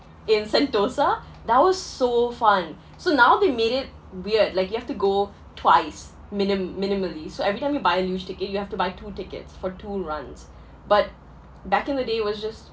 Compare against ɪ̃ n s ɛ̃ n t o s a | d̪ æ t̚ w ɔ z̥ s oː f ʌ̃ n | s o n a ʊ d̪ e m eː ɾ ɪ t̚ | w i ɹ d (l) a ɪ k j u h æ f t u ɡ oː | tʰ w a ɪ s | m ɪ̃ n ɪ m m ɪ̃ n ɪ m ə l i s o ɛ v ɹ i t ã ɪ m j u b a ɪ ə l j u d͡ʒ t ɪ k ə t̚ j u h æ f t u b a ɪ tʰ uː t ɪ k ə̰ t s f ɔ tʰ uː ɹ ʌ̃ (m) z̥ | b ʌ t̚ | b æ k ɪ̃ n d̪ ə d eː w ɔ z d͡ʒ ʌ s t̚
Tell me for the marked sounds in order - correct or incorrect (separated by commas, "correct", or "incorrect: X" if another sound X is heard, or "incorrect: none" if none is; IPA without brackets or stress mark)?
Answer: correct, incorrect: n